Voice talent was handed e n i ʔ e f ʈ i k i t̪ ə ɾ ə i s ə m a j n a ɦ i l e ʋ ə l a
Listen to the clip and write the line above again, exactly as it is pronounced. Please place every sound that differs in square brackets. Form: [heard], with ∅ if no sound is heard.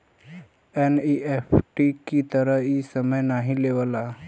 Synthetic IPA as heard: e n i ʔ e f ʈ i k i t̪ ə ɾ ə i s ə m [ə] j n a ɦ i l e ʋ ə l a